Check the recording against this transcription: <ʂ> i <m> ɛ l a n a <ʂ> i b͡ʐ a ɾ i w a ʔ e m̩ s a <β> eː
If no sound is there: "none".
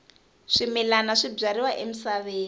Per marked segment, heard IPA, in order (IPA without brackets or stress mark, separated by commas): ʂ, m, ʂ, β